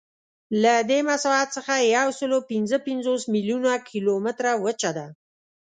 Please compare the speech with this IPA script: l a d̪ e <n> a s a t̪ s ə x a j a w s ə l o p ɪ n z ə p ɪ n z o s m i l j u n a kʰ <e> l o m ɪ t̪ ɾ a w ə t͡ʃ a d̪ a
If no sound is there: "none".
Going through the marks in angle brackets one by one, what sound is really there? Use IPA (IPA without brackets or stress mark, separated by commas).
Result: m, i